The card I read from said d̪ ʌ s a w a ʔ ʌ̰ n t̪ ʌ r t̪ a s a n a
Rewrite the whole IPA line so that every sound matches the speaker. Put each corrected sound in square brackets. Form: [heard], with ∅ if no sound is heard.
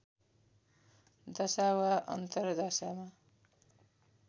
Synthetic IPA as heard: d̪ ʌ s a w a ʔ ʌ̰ n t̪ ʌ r [d̪] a s a [m] a